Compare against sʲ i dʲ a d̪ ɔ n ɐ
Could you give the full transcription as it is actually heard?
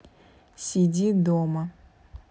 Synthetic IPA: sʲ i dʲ i d̪ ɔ m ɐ